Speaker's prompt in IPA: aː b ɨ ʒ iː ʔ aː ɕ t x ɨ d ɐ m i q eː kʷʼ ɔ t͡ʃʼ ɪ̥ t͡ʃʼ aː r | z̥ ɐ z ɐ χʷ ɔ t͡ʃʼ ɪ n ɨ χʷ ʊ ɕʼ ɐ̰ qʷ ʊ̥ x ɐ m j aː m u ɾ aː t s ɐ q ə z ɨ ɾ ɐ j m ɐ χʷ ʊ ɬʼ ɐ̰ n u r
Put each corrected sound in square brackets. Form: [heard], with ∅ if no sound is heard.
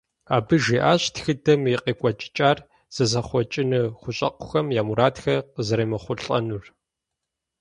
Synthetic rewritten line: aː b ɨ ʒ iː ʔ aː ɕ t x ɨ d ɐ m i q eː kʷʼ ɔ t͡ʃʼ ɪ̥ t͡ʃʼ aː r | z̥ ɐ z ɐ χʷ ɔ t͡ʃʼ ɪ n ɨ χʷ ʊ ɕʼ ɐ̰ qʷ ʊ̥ x ɐ m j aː m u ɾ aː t [x] ɐ q ə z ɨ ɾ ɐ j m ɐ χʷ ʊ ɬʼ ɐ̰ n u r